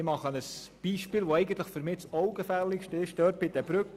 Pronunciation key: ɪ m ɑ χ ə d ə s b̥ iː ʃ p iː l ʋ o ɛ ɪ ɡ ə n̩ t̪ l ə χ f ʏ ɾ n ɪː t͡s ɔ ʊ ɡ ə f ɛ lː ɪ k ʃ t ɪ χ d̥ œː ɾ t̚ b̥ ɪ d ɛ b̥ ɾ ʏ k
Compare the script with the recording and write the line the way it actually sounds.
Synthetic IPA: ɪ m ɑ χ ə n ə s b̥ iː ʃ p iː l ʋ o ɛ ɪ ɡ ə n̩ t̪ l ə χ f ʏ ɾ m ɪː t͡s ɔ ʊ ɡ ə f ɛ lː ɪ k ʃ t ɪ ʃ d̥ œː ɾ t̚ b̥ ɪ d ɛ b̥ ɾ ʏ k